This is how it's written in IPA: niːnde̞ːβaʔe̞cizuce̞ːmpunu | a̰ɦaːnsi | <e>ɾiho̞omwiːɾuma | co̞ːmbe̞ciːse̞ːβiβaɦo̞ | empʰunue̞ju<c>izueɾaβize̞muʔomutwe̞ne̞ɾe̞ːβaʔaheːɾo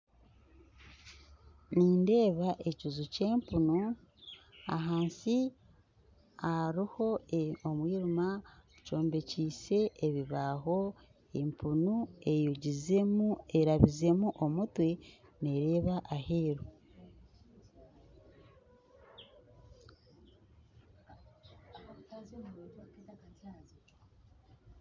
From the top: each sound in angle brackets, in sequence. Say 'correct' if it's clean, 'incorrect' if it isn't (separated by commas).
incorrect, incorrect